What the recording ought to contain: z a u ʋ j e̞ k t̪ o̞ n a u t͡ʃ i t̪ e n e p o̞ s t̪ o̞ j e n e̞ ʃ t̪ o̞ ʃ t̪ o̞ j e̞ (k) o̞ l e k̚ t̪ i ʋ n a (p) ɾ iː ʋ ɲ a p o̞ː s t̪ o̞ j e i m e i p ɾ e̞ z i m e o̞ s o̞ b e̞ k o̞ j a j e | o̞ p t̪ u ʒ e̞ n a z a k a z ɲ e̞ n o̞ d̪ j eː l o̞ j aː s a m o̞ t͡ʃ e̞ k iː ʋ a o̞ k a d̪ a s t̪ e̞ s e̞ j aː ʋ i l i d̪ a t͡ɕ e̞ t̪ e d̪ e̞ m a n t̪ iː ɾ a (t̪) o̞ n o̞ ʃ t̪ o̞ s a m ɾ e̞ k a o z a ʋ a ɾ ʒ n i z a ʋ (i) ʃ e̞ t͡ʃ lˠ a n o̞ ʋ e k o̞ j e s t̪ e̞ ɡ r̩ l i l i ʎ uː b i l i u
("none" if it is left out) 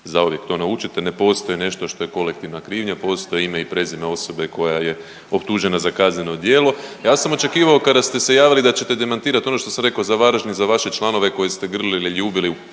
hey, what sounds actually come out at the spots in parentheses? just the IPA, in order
k, k, t̪, a

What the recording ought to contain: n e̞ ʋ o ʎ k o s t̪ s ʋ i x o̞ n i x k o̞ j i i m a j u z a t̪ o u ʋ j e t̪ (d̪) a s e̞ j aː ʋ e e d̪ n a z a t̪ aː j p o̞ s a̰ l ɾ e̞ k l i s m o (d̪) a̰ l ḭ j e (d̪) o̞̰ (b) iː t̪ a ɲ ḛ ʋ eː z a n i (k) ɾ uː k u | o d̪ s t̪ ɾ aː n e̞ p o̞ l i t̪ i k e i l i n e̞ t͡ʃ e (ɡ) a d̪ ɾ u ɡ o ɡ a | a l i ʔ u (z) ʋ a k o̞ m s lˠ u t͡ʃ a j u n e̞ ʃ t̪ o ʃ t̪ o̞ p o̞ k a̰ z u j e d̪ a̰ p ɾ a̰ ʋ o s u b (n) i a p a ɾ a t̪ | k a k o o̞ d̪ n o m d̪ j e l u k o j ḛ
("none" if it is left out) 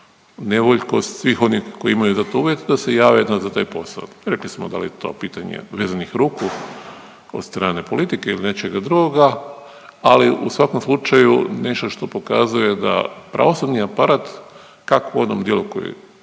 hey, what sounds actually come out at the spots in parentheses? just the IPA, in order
d̪, d̪, t̪, p, x, ɡ, s, n

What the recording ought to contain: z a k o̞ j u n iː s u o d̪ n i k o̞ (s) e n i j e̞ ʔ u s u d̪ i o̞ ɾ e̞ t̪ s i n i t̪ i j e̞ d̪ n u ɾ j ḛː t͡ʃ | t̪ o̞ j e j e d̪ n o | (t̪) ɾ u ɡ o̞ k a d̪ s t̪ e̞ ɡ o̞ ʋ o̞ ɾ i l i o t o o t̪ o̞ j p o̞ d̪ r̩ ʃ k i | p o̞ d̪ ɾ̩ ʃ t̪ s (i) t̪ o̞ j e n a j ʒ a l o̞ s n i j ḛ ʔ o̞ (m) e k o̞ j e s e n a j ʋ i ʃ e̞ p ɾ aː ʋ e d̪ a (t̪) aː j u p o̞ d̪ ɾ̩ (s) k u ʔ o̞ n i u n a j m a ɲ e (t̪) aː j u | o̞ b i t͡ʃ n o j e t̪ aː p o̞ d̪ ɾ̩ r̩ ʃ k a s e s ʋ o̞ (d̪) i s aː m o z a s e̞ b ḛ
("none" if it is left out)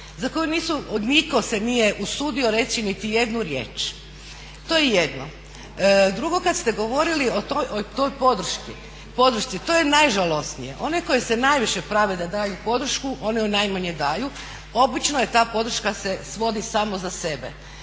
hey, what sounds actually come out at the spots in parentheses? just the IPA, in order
s, d̪, i, n, d̪, ʃ, d̪, d̪

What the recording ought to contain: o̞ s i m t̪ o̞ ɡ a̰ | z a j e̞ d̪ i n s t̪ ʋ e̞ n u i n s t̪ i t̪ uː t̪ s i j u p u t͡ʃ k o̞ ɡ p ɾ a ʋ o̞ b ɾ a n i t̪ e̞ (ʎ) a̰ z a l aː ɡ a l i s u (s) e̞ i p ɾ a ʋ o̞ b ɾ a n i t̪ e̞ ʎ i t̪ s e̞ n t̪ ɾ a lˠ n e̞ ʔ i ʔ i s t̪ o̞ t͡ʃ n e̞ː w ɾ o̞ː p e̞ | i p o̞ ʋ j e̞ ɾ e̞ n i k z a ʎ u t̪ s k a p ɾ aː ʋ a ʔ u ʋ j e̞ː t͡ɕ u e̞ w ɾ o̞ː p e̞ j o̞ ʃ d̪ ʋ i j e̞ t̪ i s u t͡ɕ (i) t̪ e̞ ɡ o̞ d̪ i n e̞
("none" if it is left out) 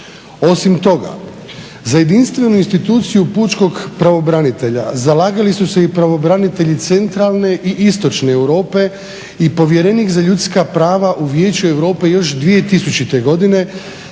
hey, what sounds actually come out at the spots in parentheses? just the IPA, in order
ʎ, s, i

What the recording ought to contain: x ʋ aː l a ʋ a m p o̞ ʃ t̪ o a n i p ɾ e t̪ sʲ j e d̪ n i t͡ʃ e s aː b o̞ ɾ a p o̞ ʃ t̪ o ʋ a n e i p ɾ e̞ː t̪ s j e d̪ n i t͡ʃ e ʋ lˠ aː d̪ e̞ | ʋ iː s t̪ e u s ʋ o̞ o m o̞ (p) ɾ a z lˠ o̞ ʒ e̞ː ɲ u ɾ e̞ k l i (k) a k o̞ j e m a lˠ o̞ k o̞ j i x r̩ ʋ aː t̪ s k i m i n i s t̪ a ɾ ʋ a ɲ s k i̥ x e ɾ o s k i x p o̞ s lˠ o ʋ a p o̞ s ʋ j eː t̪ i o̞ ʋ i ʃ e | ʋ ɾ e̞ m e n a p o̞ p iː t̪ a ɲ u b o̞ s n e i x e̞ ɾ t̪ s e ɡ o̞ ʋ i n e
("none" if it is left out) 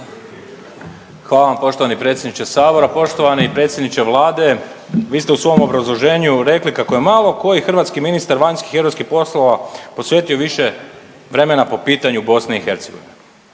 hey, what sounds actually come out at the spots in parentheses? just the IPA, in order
b, k

